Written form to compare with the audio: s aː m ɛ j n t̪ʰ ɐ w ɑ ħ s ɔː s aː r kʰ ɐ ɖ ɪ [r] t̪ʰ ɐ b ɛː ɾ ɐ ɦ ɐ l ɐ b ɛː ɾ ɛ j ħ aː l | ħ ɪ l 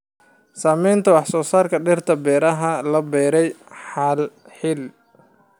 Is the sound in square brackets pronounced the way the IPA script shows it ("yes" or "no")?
yes